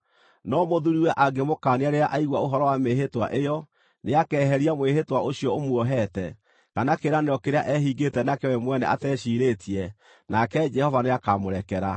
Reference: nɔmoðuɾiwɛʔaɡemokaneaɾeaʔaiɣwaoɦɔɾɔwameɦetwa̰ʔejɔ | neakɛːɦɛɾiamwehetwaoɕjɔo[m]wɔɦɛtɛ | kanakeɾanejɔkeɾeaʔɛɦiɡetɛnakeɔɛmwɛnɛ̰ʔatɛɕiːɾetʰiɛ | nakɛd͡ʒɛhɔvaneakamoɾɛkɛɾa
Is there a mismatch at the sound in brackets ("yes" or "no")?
no